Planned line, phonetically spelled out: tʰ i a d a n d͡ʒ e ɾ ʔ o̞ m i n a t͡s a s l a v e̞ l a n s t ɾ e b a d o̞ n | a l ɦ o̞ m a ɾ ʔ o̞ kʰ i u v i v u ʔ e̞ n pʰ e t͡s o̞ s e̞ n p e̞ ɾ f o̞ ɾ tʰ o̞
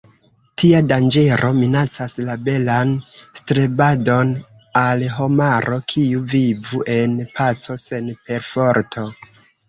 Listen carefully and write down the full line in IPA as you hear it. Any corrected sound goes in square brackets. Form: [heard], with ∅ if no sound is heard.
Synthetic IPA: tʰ i a d a n d͡ʒ e ɾ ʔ o̞ m i n a t͡s a s l a [b] e̞ l a n s t ɾ e b a d o̞ n | a l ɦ o̞ m a ɾ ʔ o̞ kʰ i u v i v u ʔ e̞ n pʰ [a] t͡s o̞ s e̞ n p e̞ ɾ f o̞ ɾ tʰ o̞